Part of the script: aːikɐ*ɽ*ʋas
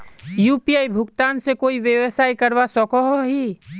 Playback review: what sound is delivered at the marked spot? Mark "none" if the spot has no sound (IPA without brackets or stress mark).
ɾ